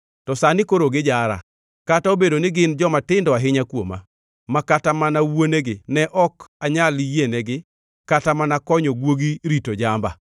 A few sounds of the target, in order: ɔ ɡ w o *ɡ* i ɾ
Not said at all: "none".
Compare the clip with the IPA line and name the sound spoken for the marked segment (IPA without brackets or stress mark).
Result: ɡ